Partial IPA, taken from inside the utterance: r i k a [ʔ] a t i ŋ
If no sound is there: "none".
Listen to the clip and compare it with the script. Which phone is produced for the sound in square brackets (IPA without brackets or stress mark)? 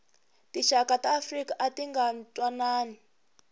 ʔ